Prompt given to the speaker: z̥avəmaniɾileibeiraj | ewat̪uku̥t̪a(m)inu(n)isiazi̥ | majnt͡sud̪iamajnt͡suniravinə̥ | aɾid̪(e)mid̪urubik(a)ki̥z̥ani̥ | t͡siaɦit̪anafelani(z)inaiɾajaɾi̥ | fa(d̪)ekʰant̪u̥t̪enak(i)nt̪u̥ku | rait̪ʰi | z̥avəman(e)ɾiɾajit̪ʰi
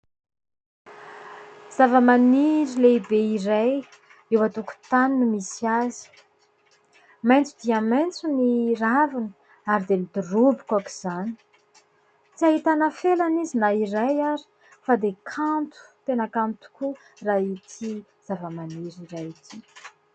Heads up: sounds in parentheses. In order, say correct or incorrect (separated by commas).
incorrect, incorrect, correct, correct, correct, correct, incorrect, incorrect